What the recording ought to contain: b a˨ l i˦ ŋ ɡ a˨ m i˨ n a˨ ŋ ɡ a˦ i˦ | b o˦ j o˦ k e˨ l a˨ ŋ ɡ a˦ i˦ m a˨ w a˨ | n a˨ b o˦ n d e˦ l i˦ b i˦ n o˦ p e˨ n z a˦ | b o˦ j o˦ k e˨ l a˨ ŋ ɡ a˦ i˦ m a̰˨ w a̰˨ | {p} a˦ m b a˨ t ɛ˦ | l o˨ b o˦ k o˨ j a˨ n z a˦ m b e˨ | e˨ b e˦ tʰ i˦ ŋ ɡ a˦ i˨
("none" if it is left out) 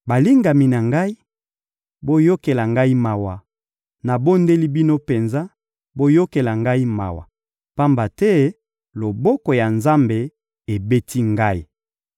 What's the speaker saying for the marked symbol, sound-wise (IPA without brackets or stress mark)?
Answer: p